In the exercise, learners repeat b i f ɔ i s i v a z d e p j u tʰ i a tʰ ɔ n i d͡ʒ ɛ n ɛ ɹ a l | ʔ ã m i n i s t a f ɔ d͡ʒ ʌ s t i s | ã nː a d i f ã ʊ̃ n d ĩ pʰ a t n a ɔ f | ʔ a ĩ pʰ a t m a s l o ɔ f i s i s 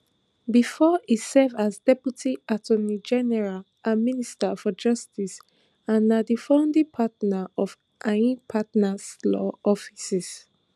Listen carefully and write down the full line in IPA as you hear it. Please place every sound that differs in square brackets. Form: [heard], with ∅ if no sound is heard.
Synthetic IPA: b i f ɔ i s [ɛ] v a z d [ɛ] p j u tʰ i a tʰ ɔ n i d͡ʒ ɛ n ɛ ɹ a l | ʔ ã m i n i s t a f ɔ d͡ʒ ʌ s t i s | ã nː a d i f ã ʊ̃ n d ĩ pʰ a t n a ɔ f | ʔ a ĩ pʰ a t [n] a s l [ɔ] ɔ f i s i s